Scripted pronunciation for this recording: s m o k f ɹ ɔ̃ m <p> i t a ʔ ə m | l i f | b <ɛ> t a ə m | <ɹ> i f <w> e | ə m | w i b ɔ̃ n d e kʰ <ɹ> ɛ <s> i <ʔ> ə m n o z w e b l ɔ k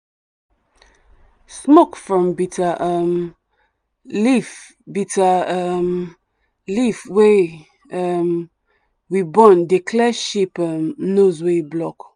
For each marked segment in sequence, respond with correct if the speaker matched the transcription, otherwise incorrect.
incorrect: b, incorrect: i, incorrect: l, correct, incorrect: l, incorrect: ʃ, incorrect: p

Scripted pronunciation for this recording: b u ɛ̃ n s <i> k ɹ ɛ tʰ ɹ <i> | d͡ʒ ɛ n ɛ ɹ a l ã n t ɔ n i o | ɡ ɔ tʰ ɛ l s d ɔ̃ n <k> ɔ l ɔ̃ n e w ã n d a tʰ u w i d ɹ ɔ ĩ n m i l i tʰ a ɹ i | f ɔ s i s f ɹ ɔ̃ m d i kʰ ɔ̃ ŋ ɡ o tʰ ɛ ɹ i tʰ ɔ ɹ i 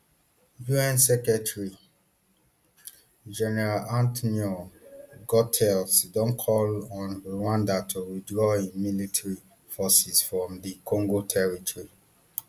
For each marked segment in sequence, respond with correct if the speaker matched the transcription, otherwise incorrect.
incorrect: ɛ, correct, incorrect: kʰ

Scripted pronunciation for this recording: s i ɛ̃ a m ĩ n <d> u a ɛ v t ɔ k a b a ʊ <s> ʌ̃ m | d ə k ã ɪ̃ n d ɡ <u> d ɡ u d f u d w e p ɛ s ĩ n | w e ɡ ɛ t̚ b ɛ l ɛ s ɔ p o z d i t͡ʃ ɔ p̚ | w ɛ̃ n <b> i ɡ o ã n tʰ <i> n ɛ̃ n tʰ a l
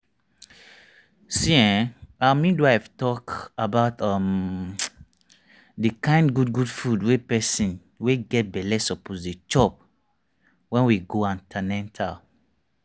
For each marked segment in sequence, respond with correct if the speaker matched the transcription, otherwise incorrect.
correct, incorrect: t, correct, incorrect: w, incorrect: a

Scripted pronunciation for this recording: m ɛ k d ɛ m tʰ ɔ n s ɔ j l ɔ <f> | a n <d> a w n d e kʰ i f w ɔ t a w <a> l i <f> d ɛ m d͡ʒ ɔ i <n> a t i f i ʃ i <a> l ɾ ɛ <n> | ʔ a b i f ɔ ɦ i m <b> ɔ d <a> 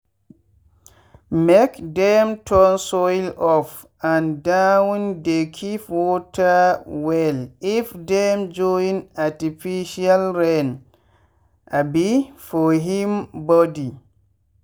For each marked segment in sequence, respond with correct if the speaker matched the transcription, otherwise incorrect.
correct, correct, incorrect: ɛ, correct, correct, correct, correct, correct, incorrect: i

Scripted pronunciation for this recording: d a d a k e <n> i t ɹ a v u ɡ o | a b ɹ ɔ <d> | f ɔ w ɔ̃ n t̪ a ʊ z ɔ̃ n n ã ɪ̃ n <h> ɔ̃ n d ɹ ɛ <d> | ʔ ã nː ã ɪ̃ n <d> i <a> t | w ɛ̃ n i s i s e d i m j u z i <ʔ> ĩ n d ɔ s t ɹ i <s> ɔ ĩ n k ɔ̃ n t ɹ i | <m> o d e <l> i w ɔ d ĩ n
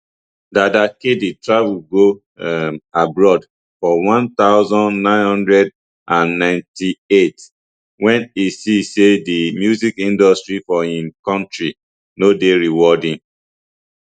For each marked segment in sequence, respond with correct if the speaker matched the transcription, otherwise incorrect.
incorrect: d, correct, correct, correct, incorrect: t, incorrect: e, incorrect: k, incorrect: f, incorrect: n, incorrect: ɹ

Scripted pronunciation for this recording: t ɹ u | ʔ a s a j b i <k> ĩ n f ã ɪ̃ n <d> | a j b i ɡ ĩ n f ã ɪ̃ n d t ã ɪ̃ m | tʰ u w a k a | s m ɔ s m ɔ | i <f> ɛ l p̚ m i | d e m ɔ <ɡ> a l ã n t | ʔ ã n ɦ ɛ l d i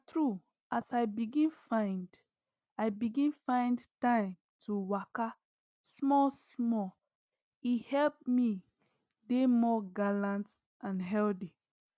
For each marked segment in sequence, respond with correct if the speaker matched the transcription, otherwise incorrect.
incorrect: ɡ, correct, incorrect: h, correct

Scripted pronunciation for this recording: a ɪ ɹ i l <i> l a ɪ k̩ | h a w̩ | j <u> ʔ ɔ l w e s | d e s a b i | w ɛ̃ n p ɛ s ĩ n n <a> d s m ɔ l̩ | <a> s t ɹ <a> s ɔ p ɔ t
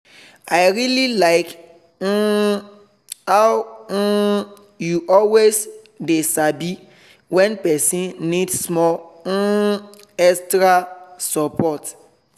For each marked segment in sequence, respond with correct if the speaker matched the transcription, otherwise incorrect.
correct, correct, incorrect: i, incorrect: ɛ, correct

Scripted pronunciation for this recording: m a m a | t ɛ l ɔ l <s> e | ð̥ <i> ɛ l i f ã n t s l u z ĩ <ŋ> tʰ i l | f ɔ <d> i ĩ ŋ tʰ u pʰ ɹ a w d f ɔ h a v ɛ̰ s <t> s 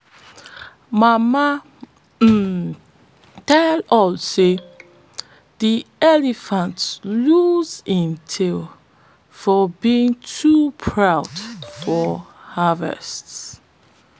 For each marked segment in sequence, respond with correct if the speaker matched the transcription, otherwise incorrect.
correct, correct, incorrect: n, incorrect: b, correct

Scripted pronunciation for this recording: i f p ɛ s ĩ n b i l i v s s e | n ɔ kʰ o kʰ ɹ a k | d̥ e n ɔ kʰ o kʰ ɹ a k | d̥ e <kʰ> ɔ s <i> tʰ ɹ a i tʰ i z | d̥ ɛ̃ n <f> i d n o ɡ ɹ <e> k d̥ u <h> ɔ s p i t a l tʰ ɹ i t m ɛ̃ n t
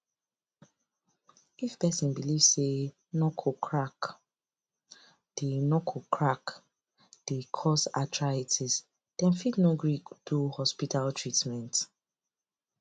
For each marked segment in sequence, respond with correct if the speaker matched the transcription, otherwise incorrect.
correct, incorrect: a, correct, incorrect: i, correct

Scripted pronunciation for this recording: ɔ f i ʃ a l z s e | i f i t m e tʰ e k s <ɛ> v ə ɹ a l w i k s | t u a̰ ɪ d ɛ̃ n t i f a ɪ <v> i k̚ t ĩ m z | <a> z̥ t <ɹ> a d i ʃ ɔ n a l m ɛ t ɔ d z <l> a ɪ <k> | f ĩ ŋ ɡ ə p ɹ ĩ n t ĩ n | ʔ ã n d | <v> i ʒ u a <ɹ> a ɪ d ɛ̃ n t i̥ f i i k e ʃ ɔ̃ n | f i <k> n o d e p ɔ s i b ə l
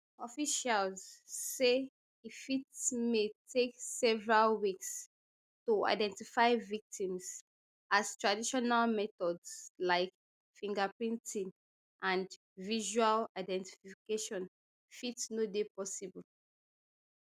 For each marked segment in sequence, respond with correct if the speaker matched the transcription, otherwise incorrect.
correct, correct, correct, correct, correct, correct, correct, incorrect: l, incorrect: t

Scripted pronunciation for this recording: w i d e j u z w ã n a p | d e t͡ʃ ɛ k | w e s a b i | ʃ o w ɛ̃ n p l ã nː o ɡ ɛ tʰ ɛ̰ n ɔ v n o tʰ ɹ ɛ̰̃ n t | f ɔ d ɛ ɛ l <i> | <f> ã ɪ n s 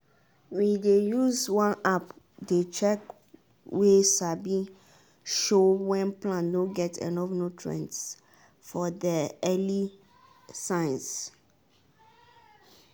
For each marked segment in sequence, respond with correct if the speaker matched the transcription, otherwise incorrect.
correct, incorrect: s

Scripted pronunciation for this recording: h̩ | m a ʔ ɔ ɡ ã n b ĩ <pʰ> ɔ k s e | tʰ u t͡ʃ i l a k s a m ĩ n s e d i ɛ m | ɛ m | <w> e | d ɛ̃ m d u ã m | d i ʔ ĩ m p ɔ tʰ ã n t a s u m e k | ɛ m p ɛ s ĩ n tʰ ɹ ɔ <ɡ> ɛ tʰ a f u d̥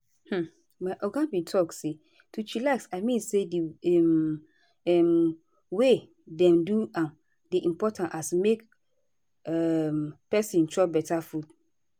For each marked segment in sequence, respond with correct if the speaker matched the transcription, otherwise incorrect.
incorrect: tʰ, correct, incorrect: b

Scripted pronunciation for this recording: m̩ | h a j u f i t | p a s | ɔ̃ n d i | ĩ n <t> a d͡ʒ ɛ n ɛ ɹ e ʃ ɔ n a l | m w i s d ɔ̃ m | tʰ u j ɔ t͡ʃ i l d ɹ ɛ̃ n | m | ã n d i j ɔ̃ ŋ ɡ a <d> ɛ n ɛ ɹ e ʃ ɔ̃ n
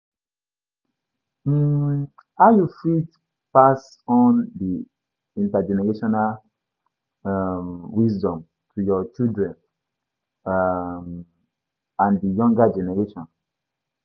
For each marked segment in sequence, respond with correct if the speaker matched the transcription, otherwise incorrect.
correct, incorrect: d͡ʒ

